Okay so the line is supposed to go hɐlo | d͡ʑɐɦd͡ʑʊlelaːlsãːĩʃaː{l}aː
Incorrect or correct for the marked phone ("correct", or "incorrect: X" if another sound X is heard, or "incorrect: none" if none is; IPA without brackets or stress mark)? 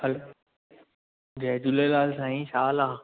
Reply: correct